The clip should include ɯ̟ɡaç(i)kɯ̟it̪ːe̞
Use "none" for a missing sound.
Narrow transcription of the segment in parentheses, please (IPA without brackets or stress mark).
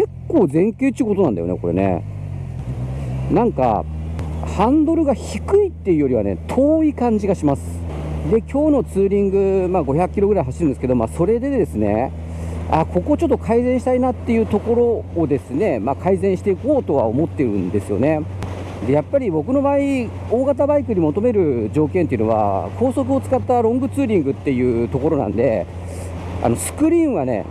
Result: i